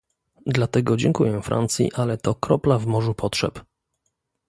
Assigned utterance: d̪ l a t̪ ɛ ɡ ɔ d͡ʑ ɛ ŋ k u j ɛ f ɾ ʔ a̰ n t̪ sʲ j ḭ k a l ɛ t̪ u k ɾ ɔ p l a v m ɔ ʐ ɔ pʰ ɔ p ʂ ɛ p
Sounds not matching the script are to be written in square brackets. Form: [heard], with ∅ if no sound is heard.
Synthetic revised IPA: d̪ l a t̪ ɛ ɡ ɔ d͡ʑ ɛ ŋ k u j ɛ f ɾ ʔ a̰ n t̪ sʲ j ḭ [ʔ] a l ɛ t̪ [ɔ] k ɾ ɔ p l a v m ɔ ʐ [u] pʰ ɔ [t] ʂ ɛ p